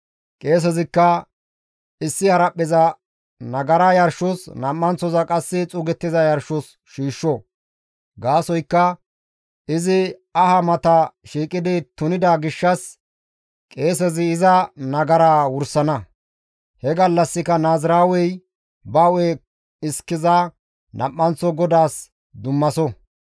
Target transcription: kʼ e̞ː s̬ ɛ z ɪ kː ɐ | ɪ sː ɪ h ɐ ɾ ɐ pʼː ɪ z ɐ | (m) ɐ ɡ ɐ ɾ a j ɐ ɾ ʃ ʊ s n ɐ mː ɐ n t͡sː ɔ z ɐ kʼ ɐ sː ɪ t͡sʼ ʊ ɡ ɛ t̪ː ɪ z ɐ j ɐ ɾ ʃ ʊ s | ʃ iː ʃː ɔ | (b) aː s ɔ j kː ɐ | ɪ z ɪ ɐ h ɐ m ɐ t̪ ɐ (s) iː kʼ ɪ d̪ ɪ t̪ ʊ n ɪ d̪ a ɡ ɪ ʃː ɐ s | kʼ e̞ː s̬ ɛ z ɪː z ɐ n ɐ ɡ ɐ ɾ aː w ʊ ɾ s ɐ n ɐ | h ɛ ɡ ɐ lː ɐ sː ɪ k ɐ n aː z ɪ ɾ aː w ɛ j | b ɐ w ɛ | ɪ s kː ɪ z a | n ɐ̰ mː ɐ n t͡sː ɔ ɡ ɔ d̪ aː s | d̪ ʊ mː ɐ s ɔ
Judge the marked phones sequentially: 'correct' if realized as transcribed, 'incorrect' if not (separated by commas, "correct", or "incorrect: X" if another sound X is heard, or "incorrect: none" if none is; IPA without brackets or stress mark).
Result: incorrect: n, incorrect: ɡ, incorrect: ʃ